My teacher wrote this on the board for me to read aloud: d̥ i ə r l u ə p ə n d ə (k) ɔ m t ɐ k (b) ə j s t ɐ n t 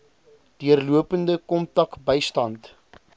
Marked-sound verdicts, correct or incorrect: correct, correct

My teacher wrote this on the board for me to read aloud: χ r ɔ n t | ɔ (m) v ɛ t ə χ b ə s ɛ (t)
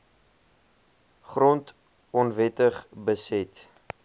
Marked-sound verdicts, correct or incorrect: incorrect, correct

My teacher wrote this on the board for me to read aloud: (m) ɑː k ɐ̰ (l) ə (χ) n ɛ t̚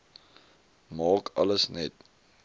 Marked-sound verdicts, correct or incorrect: correct, correct, incorrect

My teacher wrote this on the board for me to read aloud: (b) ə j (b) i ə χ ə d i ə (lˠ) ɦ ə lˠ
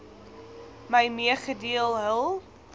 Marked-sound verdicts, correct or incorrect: incorrect, incorrect, correct

